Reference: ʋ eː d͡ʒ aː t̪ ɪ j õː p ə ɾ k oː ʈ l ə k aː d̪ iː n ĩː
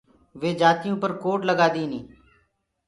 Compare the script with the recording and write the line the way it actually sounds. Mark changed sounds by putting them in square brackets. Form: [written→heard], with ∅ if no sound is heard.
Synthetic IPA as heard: ʋ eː d͡ʒ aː t̪ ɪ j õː p ə ɾ k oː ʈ l ə [k→ɡ] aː d̪ iː n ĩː